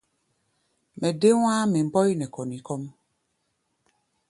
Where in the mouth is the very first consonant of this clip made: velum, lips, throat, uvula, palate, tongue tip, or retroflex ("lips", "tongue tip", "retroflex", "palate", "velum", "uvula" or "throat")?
lips